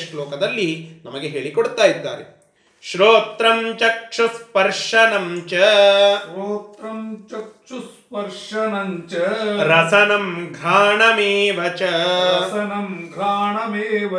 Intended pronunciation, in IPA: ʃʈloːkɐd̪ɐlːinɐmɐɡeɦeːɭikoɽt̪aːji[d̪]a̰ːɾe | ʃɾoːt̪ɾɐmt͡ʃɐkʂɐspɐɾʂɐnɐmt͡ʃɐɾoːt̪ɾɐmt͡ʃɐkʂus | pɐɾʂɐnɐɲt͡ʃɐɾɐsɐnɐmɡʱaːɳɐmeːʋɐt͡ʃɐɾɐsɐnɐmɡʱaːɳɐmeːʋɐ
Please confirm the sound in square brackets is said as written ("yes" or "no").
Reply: no